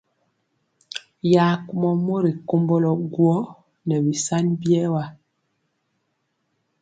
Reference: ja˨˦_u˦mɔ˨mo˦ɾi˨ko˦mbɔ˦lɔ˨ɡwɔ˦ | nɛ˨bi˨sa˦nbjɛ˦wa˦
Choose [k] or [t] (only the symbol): k